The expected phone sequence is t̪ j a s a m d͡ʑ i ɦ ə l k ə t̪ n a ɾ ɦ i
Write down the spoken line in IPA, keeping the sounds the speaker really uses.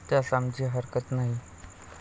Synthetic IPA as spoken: t̪ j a s a m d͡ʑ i ɦ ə ɾ k ə t̪ n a ɦ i